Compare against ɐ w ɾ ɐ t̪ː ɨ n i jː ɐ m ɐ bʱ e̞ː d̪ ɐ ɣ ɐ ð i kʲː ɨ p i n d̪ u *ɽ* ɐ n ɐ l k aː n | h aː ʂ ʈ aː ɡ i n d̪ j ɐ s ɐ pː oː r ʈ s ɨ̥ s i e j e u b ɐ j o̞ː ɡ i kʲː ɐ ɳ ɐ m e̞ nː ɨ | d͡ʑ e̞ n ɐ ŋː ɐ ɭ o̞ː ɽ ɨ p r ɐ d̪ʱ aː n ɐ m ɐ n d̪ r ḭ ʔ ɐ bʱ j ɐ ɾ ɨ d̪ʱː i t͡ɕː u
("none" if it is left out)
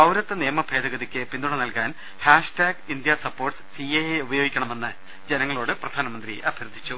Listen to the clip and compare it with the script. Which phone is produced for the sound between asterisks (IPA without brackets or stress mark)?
ɽ